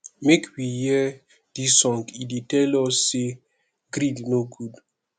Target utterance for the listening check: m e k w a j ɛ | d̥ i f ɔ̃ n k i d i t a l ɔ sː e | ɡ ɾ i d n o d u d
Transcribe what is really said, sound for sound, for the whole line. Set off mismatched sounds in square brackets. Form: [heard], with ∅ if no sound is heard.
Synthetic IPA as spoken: m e k w [i] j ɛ | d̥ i [s] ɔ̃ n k i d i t [ɛ] l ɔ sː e | ɡ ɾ i d n o [ɡ] u d